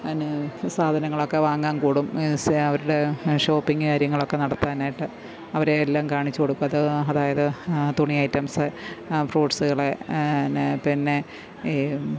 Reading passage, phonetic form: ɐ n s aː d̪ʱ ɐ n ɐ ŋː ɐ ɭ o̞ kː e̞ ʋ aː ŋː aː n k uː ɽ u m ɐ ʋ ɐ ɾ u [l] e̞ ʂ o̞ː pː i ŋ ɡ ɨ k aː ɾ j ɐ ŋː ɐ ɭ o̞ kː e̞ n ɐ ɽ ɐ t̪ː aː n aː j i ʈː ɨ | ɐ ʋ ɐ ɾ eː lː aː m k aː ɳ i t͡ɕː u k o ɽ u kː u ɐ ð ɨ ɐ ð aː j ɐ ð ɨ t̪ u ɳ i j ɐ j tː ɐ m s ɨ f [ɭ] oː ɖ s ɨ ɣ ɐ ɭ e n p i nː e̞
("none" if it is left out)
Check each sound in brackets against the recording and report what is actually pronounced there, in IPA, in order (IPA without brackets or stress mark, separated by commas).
ɽ, r